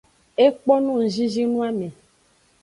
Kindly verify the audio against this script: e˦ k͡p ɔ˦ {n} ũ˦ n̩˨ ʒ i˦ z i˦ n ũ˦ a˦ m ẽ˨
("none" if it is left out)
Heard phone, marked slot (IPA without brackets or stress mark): n